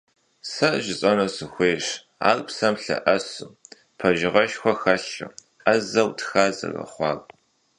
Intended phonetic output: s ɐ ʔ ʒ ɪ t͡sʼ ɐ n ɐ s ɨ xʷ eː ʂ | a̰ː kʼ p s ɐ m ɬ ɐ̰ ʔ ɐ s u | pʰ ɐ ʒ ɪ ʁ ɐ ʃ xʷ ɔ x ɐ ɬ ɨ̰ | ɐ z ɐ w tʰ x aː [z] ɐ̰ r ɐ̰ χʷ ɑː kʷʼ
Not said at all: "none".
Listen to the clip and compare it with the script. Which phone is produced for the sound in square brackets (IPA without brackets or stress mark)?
z